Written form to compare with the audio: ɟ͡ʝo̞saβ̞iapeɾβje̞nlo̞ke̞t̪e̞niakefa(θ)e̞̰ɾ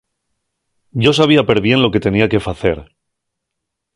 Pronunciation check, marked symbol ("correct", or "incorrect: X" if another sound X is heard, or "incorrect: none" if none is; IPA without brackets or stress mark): correct